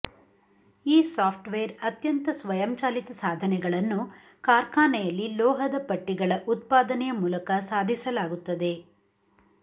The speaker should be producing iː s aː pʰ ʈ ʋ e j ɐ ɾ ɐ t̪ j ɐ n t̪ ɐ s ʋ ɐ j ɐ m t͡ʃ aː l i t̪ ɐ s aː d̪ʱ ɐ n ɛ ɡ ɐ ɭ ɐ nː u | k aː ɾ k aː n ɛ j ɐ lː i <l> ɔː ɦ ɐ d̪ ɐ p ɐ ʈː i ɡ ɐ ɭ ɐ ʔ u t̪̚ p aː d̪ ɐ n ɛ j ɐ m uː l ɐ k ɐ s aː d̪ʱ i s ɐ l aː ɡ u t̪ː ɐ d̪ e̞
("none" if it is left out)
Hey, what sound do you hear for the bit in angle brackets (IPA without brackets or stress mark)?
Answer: l